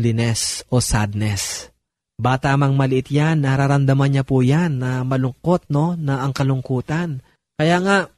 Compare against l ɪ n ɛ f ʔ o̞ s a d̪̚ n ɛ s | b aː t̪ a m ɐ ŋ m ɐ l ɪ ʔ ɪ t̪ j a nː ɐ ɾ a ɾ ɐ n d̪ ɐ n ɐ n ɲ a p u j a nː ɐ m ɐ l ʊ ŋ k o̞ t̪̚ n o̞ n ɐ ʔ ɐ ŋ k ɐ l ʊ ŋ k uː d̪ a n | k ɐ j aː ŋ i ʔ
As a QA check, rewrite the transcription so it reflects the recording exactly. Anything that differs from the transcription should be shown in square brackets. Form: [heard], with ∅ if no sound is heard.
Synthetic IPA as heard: l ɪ n ɛ [s] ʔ o̞ s a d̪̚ n ɛ s | b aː t̪ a m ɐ ŋ m ɐ l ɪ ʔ ɪ t̪ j a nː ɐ ɾ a ɾ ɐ n d̪ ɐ [m] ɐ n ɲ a p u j a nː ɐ m ɐ l ʊ ŋ k o̞ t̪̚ n o̞ n ɐ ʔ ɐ ŋ k ɐ l ʊ ŋ k uː [t̪] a n | k ɐ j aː ŋ [a] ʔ